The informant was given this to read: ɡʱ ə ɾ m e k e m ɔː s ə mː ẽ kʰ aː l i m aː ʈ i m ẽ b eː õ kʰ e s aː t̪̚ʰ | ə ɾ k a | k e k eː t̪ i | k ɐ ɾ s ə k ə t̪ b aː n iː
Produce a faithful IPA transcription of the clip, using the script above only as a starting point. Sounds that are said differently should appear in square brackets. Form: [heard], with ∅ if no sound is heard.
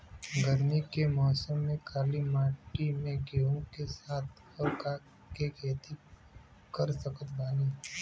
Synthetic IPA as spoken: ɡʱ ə ɾ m [i] k e m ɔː s ə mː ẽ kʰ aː l i m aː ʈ i m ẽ [ɡ] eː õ [k] e s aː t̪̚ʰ | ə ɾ k a | k e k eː t̪ i | k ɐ ɾ s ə k ə t̪ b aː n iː